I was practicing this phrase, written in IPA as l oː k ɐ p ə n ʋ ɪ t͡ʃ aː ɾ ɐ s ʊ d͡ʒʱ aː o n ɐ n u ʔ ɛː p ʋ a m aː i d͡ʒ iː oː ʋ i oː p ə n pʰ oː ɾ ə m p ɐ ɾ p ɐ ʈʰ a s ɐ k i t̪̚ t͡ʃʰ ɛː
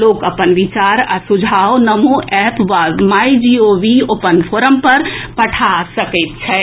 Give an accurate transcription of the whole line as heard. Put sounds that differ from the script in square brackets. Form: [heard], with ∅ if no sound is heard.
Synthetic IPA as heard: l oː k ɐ p ə n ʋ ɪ t͡ʃ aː ɾ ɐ s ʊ d͡ʒʱ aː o n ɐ [m] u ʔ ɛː p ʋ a m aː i d͡ʒ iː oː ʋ i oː p ə n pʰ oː ɾ ə m p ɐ ɾ p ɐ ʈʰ a s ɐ k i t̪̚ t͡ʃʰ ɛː